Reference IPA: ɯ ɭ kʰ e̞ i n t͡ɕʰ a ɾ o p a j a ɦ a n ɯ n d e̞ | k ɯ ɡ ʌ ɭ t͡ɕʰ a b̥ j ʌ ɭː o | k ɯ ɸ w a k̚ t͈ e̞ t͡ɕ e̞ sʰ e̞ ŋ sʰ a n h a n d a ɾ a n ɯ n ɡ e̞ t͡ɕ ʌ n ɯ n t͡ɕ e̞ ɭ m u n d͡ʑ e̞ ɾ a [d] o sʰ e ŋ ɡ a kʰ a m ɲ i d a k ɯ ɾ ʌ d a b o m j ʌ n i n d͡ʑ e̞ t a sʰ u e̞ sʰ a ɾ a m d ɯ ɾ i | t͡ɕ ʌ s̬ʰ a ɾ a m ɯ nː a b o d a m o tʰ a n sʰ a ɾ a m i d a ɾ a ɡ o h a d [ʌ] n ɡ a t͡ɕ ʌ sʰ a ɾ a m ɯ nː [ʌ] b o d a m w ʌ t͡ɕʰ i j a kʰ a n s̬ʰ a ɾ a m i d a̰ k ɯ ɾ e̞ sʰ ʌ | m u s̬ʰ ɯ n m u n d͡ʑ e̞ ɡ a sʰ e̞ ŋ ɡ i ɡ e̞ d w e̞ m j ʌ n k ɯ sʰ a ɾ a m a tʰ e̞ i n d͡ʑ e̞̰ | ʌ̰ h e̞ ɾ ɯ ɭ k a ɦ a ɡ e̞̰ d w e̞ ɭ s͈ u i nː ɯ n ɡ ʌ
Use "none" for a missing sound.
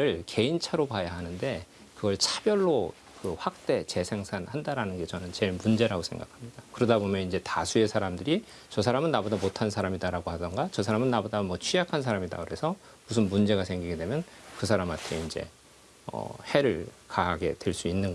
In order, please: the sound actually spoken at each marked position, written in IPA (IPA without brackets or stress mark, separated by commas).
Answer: ɡ, ʌ, a